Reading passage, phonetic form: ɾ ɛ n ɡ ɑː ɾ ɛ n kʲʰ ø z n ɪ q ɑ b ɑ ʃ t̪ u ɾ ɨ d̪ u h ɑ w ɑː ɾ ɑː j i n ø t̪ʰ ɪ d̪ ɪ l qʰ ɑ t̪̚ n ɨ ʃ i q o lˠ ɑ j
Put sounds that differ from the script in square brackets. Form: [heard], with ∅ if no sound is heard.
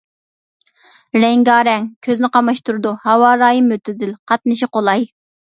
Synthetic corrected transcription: ɾ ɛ [ŋ] ɡ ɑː ɾ ɛ [ŋ] kʲʰ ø z n ɪ q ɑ [m] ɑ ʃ t̪ u ɾ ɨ d̪ u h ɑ w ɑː ɾ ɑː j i [m] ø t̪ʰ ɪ d̪ ɪ l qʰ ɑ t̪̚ n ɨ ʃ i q o lˠ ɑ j